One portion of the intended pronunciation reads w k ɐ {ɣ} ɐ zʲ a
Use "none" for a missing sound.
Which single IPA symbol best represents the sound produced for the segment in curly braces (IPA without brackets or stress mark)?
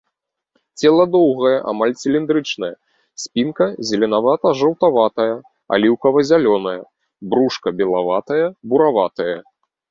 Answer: v